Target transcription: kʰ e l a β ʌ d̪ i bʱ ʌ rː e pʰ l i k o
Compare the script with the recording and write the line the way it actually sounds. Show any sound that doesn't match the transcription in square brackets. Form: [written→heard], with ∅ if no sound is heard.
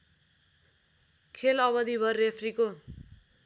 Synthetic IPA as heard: kʰ e l [a→ʌ] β ʌ d̪ i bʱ ʌ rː e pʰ [l→r] i k o